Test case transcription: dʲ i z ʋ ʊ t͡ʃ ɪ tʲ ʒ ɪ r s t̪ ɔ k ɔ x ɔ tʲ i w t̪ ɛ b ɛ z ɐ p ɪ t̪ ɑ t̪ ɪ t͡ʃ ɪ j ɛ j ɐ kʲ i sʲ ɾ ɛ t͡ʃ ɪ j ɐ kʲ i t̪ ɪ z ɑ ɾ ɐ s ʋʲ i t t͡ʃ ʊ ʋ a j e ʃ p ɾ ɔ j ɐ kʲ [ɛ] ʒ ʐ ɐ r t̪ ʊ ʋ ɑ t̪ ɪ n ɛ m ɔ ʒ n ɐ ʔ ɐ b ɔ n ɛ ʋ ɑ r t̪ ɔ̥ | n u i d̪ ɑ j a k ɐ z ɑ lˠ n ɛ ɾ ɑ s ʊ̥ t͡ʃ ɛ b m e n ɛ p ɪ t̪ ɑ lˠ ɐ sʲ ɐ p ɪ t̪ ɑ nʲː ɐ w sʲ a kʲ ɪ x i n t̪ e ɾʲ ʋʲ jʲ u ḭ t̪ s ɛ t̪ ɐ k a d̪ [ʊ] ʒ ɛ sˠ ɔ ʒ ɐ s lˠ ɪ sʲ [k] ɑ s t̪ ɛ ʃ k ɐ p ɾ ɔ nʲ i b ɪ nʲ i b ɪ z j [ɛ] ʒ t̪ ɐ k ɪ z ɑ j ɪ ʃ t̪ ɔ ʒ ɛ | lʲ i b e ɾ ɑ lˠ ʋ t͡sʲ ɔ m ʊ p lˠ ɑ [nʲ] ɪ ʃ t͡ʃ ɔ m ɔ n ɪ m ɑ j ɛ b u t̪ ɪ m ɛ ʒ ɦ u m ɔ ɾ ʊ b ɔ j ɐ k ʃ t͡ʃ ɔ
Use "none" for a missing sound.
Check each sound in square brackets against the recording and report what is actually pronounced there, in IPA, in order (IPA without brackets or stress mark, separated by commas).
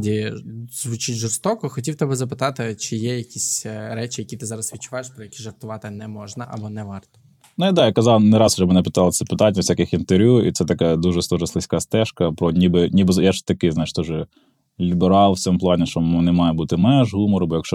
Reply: i, u, k, a, nʲ